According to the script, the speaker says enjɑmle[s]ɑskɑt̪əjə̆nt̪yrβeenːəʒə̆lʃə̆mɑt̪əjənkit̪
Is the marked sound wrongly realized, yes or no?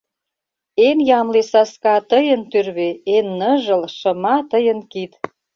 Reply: no